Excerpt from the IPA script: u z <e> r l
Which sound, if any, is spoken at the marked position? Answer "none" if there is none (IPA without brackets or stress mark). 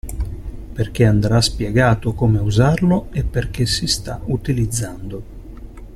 a